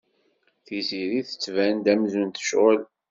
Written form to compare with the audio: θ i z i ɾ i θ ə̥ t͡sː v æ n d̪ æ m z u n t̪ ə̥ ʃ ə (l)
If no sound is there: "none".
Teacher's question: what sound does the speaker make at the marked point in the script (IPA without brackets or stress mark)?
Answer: l